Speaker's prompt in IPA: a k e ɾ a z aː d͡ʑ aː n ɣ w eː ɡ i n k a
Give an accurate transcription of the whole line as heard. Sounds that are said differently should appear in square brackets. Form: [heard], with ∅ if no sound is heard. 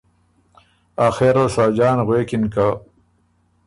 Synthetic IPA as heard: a [x] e ɾ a [s] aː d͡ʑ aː n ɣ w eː [k] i n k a